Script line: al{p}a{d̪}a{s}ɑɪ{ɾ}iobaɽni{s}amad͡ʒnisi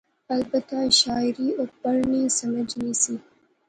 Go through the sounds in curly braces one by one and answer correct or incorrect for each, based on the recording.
incorrect: b, incorrect: t̪, incorrect: ʃ, correct, correct

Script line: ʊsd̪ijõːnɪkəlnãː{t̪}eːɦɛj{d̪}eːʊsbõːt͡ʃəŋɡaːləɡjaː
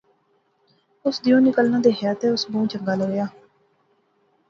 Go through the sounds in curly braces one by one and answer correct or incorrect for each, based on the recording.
incorrect: d̪, incorrect: t̪

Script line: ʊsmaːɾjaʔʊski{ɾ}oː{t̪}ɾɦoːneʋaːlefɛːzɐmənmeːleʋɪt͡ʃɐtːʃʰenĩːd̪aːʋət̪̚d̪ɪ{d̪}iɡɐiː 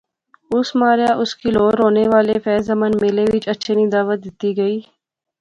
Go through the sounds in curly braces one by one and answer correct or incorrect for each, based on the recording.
incorrect: l, incorrect: none, incorrect: t̪

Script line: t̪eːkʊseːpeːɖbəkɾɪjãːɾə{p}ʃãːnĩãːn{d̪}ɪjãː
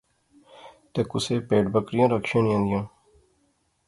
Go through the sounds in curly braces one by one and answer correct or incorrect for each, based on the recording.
incorrect: k, correct

